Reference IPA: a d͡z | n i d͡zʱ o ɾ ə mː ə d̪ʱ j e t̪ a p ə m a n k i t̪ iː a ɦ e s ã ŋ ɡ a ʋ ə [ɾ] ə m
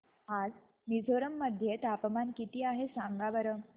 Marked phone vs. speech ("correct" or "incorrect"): correct